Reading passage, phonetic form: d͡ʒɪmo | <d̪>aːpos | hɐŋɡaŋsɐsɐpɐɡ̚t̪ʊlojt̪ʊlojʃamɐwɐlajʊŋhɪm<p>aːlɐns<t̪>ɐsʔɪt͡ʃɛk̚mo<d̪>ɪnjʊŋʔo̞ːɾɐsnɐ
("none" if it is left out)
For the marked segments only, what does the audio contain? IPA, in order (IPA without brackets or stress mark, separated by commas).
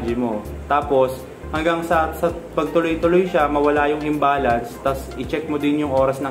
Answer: t̪, b, t̪, d̪